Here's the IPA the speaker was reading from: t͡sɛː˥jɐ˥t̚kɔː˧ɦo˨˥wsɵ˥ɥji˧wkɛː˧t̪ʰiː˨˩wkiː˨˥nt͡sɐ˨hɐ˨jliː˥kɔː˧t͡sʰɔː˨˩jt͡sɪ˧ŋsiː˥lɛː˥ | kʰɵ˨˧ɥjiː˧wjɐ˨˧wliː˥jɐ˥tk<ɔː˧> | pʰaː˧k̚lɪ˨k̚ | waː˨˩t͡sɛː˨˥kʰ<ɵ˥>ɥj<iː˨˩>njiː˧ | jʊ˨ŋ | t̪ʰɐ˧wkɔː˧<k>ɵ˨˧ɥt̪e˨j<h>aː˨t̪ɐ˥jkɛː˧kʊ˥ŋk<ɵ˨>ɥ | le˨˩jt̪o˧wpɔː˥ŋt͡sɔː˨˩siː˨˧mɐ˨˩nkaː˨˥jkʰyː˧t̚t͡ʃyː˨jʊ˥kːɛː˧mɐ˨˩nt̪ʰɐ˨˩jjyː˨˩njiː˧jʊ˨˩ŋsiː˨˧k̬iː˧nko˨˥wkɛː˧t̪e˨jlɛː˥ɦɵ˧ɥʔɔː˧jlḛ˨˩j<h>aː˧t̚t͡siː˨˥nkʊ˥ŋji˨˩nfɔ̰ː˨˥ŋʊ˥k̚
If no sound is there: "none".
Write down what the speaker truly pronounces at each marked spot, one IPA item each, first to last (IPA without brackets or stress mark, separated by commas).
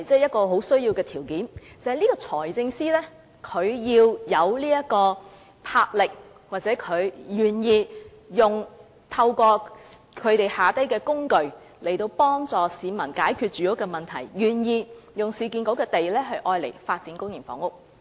ɔː˧, ɵ˨˧, yː˨˩, kʰ, h, ɵ˨, f